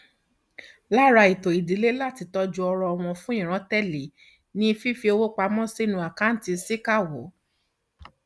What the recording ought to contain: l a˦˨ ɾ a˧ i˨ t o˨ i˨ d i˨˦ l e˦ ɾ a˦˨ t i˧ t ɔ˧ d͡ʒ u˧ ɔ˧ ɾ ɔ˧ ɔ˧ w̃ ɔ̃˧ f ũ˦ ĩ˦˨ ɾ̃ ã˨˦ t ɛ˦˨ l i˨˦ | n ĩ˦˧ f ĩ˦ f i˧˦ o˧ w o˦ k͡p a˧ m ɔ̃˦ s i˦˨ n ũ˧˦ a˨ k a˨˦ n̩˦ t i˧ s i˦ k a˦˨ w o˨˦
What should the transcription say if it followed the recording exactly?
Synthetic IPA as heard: l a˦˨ ɾ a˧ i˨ t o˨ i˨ d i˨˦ l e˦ l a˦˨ t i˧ t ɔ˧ d͡ʒ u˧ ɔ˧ ɾ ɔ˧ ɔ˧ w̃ ɔ̃˧ f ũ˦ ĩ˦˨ ɾ̃ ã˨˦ t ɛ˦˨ l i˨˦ | n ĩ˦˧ f i˦ f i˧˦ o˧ w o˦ k͡p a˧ m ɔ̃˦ s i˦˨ n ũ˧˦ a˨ k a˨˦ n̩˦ t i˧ s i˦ k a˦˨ w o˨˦